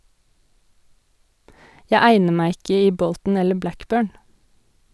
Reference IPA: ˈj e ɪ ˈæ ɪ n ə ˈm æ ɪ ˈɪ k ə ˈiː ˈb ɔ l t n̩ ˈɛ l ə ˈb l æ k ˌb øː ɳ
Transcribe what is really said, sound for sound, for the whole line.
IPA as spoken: ˈj æ ɪ ˈæ ɪ n ə ˈm æ ɪ ˈɪ k ə ˈiː ˈb ɔ l t n̩ ˈɛ l ə ˈb l æ k ˌb øː ɳ